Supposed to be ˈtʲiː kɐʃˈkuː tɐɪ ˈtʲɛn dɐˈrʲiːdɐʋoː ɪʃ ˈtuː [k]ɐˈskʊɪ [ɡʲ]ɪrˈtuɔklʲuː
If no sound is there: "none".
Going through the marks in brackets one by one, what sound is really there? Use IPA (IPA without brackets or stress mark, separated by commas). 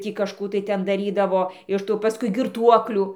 p, ɡʲ